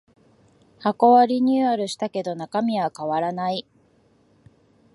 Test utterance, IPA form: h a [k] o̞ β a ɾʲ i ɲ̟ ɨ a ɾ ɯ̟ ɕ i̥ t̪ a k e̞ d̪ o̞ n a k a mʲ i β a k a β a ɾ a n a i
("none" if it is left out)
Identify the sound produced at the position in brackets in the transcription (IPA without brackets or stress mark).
k